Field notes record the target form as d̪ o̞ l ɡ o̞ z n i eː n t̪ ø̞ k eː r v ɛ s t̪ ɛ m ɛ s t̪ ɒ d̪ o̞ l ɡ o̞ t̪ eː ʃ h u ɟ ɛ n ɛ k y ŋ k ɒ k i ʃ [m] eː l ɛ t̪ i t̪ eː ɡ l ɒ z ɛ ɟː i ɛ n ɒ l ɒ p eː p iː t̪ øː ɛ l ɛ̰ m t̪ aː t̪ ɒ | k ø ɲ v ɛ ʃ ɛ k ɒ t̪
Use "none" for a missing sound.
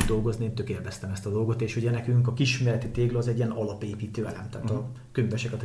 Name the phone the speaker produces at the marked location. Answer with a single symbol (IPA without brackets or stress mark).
m